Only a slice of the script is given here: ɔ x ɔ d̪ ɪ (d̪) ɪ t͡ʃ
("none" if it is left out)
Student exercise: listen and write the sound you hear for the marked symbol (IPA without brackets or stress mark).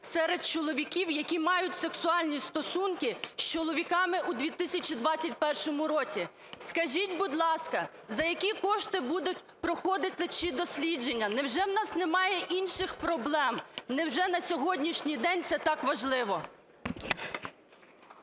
t̪